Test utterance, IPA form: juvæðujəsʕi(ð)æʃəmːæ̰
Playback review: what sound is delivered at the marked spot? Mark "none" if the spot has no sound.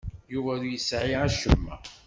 none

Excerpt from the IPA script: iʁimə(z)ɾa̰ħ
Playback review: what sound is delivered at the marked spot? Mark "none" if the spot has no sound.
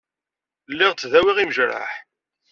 ʒ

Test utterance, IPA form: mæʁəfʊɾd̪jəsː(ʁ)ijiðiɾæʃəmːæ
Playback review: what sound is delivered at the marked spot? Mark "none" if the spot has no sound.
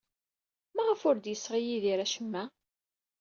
ʁ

